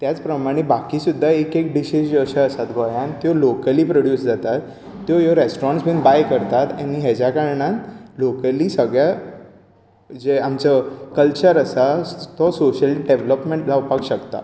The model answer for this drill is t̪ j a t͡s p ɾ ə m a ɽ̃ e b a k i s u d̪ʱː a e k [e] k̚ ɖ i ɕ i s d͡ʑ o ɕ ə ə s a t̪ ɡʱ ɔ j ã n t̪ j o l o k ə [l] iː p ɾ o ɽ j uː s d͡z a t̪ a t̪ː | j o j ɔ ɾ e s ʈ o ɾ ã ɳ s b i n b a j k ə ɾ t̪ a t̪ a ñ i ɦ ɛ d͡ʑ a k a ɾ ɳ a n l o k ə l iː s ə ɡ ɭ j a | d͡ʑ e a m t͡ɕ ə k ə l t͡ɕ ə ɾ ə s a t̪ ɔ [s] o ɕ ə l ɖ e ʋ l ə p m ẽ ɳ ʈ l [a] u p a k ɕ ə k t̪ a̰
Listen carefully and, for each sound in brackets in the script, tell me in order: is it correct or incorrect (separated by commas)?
correct, correct, correct, correct